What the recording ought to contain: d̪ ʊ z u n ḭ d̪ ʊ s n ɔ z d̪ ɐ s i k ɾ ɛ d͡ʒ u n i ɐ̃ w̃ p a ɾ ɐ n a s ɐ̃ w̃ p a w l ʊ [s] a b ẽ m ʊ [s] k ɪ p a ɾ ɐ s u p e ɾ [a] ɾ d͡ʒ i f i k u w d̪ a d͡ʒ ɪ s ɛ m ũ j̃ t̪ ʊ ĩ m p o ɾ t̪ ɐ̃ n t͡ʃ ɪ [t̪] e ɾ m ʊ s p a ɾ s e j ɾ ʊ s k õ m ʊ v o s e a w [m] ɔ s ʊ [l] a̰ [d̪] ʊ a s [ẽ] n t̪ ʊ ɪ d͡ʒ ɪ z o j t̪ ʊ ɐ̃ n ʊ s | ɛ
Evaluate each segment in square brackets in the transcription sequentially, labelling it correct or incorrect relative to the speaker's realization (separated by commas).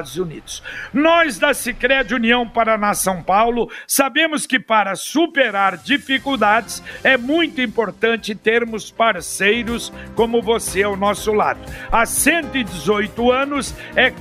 correct, correct, correct, correct, incorrect, correct, correct, correct